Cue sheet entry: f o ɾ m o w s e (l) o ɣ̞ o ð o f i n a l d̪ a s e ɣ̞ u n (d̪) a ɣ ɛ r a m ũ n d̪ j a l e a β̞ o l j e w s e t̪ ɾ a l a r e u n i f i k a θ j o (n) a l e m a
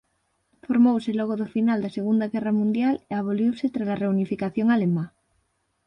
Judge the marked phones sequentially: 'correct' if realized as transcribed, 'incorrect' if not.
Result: correct, correct, incorrect: ŋ

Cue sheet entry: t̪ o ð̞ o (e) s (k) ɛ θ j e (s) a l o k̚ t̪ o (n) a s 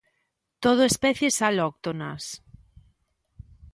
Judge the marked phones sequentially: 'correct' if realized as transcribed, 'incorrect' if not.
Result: correct, incorrect: p, correct, correct

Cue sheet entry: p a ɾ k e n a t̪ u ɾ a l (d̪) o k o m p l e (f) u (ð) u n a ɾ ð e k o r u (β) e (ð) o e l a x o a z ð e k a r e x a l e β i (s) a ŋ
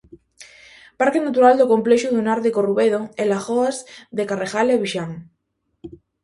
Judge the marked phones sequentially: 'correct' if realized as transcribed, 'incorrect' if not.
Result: correct, incorrect: ʃ, correct, correct, correct, incorrect: ʃ

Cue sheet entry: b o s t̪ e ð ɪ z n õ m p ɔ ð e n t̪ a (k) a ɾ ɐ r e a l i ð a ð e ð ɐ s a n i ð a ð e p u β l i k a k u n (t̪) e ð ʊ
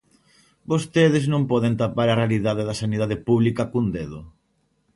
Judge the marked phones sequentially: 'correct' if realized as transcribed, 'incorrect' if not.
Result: incorrect: p, incorrect: d̪

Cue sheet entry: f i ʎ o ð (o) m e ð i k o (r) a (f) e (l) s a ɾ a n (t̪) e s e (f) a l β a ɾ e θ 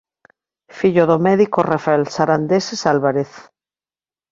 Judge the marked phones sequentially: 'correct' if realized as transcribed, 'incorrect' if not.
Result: correct, correct, correct, correct, incorrect: d̪, incorrect: s

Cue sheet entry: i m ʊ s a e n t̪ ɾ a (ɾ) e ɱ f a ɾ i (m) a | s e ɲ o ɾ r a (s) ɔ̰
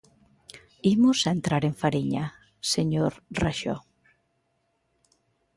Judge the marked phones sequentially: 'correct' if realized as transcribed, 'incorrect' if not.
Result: correct, incorrect: ɲ, incorrect: ʃ

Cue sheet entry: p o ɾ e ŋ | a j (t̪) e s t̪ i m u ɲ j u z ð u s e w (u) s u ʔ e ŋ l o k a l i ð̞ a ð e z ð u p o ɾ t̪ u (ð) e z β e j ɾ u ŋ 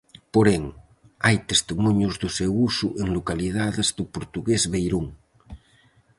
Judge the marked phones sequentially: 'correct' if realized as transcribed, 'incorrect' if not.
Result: correct, correct, incorrect: ɣ

